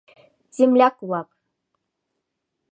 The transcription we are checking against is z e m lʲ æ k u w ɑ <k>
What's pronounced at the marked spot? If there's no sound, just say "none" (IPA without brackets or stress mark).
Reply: p